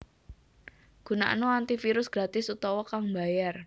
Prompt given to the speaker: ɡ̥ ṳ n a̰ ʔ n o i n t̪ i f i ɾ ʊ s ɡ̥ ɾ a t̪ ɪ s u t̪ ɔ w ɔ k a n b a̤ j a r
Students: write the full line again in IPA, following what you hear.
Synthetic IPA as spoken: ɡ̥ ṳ n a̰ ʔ n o a n t̪ i f i ɾ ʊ s ɡ̥ ɾ a t̪ ɪ s u t̪ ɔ w ɔ k a ŋ b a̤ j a r